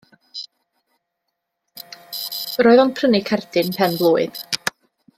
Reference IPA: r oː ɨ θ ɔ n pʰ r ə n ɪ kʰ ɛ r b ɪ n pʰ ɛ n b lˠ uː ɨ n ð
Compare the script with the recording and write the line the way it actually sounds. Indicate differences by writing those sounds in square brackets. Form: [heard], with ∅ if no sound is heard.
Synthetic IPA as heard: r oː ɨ [ð] ɔ n pʰ r ə n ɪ kʰ ɛ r [d] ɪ n pʰ ɛ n b lˠ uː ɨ [∅] ð